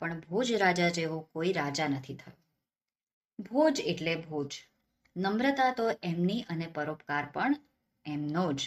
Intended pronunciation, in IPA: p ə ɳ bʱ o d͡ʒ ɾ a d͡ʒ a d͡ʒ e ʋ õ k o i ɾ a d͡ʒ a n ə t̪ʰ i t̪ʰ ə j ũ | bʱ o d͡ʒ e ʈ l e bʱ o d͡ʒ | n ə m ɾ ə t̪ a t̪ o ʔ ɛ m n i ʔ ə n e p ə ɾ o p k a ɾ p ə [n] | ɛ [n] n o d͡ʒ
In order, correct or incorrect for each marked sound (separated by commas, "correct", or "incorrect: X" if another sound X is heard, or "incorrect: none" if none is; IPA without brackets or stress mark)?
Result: incorrect: ɳ, incorrect: m